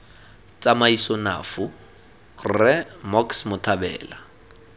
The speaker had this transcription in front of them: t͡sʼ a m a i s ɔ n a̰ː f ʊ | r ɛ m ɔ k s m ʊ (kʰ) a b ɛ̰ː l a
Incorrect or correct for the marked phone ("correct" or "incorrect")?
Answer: incorrect